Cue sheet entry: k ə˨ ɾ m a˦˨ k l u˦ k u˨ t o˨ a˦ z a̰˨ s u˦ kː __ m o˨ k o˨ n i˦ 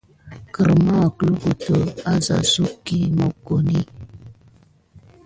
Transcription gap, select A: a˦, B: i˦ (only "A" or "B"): B